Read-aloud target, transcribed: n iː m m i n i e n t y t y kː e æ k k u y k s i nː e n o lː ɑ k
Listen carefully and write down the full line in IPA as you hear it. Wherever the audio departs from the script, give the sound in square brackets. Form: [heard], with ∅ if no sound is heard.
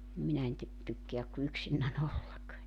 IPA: n [i] m m i n [æ] e n t y t y kː e æ k k u y k s i nː [æ] n o lː ɑ k